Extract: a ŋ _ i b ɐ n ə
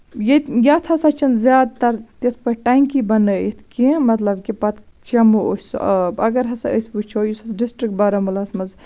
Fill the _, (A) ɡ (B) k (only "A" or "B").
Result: B